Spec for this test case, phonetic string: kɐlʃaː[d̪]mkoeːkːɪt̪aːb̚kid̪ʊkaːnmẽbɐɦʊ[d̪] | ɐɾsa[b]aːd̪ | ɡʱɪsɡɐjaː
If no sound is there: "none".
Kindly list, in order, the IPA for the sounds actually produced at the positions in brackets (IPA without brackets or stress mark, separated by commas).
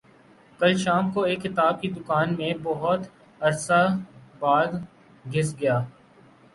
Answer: none, t̪, b